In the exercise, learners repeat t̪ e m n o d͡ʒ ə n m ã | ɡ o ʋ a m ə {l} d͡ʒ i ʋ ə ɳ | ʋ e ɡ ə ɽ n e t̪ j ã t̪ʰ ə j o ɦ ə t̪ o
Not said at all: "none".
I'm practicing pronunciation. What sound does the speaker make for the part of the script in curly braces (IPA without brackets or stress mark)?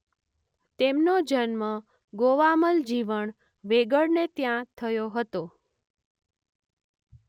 l